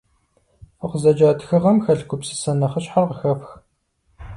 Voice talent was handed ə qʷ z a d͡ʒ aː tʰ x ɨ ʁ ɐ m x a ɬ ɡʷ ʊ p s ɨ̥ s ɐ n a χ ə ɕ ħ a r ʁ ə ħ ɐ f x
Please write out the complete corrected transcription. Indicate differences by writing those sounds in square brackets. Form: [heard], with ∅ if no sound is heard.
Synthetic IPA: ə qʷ z [ɐ] d͡ʒ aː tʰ x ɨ ʁ ɐ m x [ɐ] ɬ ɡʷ ʊ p s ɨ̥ s ɐ n [ɐ] χ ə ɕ ħ a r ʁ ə [x] ɐ f x